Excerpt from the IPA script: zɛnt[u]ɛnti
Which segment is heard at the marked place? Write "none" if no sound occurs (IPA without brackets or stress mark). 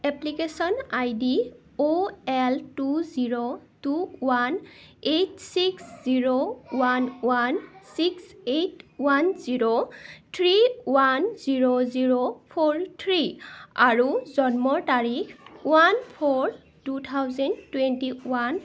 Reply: w